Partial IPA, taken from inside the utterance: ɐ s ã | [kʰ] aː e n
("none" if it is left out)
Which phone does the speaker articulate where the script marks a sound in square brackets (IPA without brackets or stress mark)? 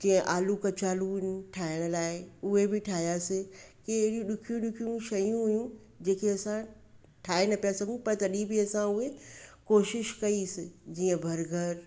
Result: ʈʰ